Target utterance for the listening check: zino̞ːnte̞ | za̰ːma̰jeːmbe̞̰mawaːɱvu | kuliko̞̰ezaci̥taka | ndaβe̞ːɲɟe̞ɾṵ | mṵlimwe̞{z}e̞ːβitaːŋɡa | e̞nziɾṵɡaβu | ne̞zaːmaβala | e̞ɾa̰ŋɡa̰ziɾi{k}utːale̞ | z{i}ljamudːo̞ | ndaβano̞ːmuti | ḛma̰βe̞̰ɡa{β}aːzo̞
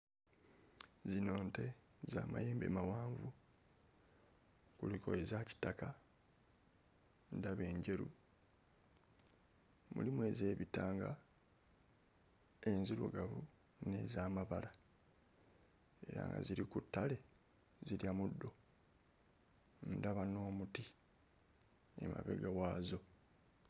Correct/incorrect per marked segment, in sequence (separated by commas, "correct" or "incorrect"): correct, correct, correct, incorrect